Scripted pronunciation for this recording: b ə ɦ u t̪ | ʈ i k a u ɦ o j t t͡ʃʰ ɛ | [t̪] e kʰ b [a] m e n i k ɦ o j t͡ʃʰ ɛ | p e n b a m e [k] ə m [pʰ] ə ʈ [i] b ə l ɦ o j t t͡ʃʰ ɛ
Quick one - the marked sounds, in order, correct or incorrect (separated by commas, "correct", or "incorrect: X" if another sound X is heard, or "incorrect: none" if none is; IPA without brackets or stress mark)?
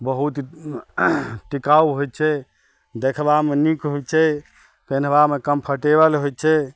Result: incorrect: d̪, correct, correct, correct, incorrect: e